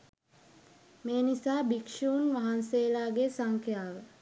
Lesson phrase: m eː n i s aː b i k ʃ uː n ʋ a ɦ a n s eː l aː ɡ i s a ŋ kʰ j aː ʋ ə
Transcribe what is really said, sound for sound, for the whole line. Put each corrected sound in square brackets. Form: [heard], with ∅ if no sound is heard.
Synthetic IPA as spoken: m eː n i s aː b i k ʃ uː n ʋ a ɦ a n s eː l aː ɡ [e] s a ŋ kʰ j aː ʋ ə

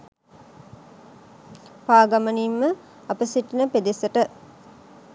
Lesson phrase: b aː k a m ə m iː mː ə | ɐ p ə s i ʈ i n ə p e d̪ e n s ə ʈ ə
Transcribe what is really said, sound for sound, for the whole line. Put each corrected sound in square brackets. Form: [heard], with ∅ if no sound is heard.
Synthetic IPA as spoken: [p] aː [ɡ] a m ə [n] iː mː ə | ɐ p ə s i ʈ i n ə p e d̪ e [∅] s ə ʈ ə

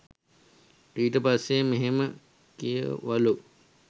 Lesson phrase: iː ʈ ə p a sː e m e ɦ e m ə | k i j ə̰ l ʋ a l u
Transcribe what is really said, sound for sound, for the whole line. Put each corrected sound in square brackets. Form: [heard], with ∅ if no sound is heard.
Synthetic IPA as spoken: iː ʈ ə p a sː e m e ɦ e m ə | k i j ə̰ [∅] ʋ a l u

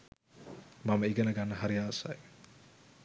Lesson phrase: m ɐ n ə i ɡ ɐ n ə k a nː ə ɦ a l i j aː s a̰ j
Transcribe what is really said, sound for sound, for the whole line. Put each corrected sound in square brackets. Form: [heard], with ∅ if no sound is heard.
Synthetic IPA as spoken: m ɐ [m] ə i ɡ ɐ n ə [ɡ] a nː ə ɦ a [ɾ] i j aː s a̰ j

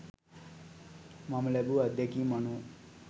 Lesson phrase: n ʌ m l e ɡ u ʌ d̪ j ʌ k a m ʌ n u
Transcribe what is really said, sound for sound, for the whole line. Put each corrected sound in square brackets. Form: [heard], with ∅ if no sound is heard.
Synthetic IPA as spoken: [m] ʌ m l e [b] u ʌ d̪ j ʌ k [i] m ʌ n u

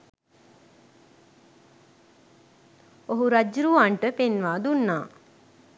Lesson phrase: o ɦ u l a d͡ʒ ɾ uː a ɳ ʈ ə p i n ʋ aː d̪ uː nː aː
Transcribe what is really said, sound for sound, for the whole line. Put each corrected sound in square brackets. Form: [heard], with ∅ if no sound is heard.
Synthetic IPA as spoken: o ɦ u [ɾ] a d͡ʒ ɾ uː a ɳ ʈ ə p [e] n ʋ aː d̪ [u] nː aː

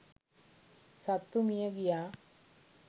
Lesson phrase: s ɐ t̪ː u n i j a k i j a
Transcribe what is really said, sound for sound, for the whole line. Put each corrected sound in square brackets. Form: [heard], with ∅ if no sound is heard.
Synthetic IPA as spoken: s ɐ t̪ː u [m] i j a [ɡ] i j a

